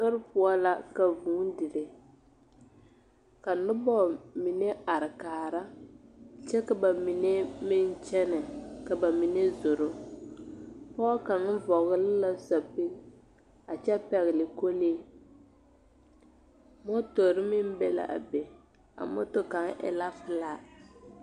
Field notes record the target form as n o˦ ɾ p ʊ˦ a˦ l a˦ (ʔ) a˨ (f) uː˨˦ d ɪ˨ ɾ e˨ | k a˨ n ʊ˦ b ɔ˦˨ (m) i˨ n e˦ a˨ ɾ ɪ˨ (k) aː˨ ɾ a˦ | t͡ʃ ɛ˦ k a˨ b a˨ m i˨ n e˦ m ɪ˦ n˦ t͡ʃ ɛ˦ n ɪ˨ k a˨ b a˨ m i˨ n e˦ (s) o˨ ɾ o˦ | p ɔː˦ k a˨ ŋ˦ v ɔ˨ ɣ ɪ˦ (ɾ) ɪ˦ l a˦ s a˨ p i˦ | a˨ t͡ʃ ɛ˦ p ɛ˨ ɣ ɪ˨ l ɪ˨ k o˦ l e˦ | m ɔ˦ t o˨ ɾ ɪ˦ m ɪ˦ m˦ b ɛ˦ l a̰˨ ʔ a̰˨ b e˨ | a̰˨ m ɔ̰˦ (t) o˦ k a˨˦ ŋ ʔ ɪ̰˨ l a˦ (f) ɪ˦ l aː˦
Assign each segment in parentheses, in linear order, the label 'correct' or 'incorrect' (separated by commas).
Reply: incorrect, incorrect, correct, correct, incorrect, incorrect, correct, correct